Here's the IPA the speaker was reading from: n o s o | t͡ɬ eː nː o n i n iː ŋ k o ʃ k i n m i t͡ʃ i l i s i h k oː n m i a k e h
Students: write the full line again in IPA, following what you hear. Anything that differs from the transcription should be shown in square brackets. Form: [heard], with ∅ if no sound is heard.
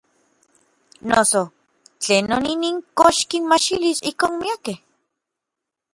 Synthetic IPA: n o s o | t͡ɬ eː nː o n i n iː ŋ k o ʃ k i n m [a] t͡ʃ i l i s i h k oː n m i a k e h